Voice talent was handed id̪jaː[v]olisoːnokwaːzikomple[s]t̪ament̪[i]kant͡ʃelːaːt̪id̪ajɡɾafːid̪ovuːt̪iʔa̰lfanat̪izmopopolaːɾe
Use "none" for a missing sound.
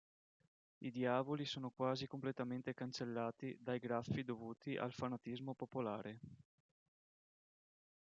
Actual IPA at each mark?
v, none, e

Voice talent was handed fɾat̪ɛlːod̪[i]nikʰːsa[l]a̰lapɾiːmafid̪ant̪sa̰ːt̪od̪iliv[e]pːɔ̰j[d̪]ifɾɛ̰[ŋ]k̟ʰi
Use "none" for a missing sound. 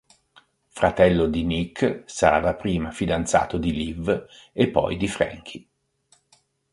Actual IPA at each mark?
i, ɾ, e, d̪, ŋ

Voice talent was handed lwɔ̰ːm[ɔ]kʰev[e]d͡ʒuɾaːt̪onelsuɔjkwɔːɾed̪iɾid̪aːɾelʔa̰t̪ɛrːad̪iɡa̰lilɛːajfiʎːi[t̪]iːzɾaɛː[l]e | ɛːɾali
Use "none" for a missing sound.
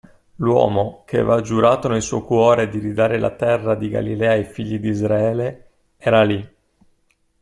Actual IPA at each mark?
o, a, d̪, l

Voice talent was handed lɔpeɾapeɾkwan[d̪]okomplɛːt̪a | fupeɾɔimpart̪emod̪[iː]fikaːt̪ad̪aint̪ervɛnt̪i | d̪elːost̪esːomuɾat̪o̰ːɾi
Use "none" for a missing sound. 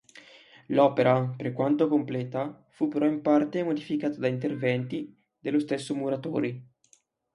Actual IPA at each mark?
t̪, i

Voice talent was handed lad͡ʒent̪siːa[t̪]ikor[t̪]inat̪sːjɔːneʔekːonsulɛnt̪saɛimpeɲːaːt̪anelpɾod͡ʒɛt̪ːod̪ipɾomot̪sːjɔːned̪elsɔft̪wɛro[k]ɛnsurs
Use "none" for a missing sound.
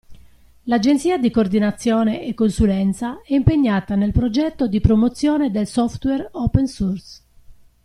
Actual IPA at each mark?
d̪, d̪, p

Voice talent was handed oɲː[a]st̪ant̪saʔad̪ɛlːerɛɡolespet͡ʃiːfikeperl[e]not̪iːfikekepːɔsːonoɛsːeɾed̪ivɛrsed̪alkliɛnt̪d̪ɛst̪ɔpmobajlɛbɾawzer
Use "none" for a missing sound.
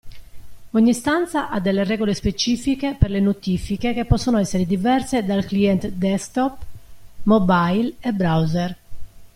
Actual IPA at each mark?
i, e

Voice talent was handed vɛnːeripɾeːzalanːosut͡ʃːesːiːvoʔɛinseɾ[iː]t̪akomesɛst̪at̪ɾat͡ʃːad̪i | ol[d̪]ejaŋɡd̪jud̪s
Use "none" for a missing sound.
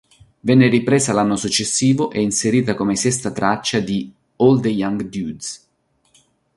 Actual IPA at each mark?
iː, d̪

